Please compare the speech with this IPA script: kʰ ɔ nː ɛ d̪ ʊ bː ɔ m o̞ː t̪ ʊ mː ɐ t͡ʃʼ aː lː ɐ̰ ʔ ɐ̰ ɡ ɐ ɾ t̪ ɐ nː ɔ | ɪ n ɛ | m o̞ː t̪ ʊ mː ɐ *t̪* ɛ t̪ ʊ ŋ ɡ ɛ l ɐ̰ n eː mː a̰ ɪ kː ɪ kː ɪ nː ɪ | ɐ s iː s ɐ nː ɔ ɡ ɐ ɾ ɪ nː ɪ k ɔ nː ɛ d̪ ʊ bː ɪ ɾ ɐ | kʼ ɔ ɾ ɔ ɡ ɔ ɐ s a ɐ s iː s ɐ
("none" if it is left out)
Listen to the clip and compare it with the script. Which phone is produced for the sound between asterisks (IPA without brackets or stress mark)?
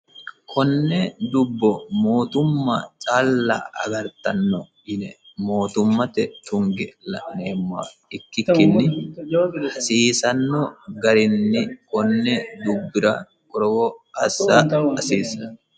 t̪